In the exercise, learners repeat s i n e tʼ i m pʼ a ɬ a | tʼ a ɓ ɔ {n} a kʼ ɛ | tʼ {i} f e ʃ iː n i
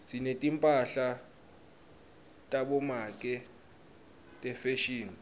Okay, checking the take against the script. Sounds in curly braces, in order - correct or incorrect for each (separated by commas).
incorrect, incorrect